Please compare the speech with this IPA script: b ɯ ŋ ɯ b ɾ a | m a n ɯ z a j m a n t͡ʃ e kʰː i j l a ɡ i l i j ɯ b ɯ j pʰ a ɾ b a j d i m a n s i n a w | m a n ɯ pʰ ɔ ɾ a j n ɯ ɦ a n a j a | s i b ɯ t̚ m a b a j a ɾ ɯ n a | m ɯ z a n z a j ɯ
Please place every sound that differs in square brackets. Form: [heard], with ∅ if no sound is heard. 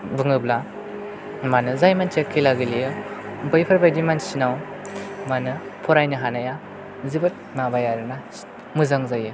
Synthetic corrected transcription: b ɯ ŋ ɯ b [l] a | m a n ɯ z a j m a n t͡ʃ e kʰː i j l a ɡ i l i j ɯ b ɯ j pʰ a ɾ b a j d i m a n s i n a w | m a n ɯ pʰ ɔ ɾ a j n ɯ ɦ a n a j a | [z] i b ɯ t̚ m a b a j a ɾ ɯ n a | m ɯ z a [ŋ] z a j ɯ